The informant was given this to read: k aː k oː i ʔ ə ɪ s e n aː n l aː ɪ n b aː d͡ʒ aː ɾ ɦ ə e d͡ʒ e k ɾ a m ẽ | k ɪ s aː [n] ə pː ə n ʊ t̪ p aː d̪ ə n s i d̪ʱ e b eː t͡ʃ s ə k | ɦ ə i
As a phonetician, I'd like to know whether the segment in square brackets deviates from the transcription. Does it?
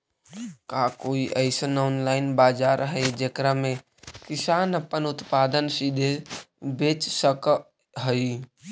no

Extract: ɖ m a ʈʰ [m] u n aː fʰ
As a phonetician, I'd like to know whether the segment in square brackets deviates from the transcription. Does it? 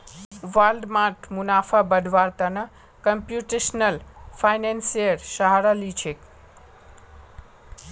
no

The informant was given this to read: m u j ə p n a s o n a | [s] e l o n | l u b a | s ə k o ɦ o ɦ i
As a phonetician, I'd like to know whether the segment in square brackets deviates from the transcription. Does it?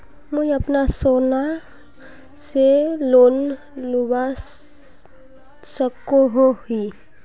no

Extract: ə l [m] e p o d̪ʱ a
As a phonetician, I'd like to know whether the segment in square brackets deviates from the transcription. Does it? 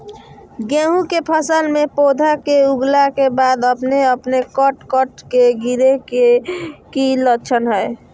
no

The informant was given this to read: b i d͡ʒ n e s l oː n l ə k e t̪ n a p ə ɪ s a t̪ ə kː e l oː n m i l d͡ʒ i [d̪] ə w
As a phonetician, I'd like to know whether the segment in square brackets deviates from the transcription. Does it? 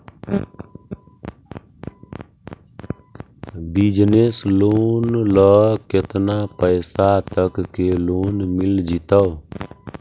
yes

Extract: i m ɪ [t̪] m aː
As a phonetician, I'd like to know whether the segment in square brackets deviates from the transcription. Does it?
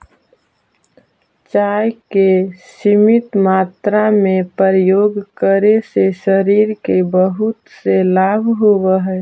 no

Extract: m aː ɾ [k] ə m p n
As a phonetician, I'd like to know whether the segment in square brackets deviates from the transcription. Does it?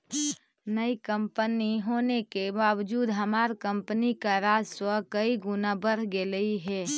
no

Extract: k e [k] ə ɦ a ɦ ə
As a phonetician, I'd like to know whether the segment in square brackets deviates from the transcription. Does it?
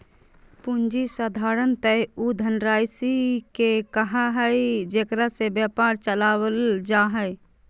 no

